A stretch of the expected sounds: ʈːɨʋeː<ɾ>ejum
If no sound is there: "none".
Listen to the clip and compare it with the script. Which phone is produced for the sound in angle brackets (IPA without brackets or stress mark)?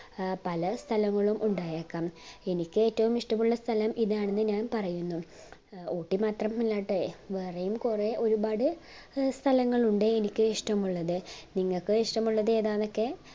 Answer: r